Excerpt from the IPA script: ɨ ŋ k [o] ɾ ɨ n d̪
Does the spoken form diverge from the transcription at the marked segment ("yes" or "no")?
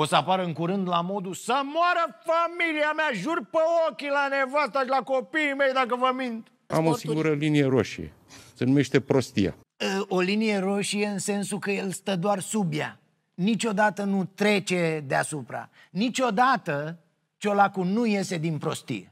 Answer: yes